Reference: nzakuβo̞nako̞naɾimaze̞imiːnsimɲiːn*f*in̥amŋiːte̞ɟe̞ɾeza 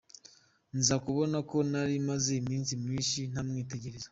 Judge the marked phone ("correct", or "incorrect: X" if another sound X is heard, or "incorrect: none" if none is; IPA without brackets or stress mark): incorrect: ʃ